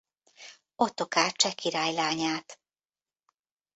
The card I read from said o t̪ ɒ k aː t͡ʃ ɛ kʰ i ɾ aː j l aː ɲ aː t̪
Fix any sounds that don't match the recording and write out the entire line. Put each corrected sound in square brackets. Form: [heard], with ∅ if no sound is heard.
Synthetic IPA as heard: o t̪ [o] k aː t͡ʃ ɛ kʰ i ɾ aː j l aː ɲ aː t̪